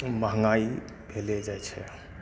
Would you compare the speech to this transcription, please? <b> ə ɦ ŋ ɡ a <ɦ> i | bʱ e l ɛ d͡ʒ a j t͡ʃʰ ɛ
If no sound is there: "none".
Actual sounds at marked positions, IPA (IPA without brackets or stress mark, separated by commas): m, none